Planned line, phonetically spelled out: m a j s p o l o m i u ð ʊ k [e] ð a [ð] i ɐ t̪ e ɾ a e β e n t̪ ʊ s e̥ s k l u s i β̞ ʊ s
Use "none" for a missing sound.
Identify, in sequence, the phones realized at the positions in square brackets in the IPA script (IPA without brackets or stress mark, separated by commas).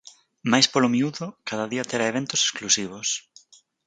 a, ð